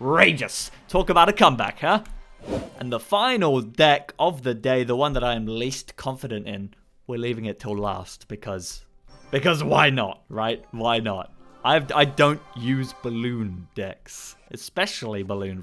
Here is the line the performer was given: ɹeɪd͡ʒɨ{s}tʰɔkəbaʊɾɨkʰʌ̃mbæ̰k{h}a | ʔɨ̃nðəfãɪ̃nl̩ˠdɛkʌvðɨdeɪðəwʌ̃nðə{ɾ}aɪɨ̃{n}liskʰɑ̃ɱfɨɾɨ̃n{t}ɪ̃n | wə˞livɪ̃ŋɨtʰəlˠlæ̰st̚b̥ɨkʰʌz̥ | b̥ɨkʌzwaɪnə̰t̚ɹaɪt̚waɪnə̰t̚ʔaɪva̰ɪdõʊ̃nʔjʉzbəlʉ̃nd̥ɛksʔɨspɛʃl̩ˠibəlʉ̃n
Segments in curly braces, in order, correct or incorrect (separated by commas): correct, correct, correct, incorrect, correct